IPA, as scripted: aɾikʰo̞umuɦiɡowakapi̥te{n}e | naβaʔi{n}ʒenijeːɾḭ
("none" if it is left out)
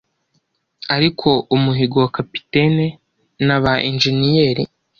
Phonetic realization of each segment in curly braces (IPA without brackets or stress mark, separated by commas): n, n